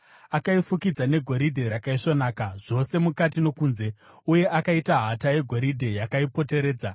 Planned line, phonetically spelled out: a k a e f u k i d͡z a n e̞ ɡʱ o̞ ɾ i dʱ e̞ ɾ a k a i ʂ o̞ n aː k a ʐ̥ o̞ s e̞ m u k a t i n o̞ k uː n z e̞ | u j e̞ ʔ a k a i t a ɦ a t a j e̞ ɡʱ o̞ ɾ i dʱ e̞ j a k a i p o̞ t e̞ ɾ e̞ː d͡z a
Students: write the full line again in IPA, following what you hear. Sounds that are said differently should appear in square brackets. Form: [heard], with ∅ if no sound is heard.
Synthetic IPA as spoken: a k a [i] f u k i d͡z a n e̞ ɡʱ o̞ ɾ i dʱ e̞ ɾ a k a i ʂ o̞ n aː k a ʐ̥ o̞ s e̞ m u k a t i n o̞ k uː n z e̞ | u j e̞ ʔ a k a i t a ɦ a t a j e̞ ɡʱ o̞ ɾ i dʱ e̞ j a k a i p o̞ t e̞ ɾ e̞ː d͡z a